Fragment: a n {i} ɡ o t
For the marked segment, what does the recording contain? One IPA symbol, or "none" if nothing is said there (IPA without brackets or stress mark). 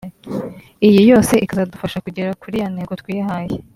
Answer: e